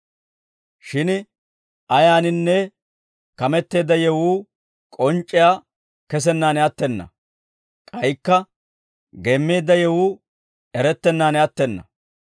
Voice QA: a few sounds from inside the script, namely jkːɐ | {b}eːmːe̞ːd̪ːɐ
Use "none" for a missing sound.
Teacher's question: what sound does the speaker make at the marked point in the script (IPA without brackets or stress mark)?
ɡ